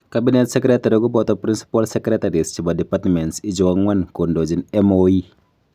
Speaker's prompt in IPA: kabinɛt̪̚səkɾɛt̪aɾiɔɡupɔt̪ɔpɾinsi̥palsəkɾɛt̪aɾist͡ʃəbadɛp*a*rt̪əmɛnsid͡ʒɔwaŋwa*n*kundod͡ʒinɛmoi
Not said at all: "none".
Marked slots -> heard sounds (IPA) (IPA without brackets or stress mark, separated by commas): a, n